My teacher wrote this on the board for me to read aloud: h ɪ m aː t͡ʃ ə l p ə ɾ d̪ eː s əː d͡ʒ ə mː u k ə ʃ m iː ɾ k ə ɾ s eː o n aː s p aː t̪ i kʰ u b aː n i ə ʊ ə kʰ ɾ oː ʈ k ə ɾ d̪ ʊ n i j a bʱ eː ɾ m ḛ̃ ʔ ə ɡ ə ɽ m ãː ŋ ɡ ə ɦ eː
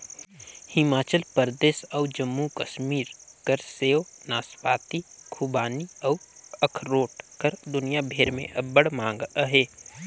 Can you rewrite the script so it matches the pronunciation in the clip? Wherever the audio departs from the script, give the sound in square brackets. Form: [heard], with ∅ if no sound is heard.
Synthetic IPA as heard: h ɪ m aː t͡ʃ ə l p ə ɾ d̪ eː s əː d͡ʒ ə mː u k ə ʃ m iː ɾ k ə ɾ s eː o n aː s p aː t̪ i kʰ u b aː n i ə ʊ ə kʰ ɾ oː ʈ k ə ɾ d̪ ʊ n i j a bʱ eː ɾ m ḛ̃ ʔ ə [b] ə ɽ m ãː ŋ ɡ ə ɦ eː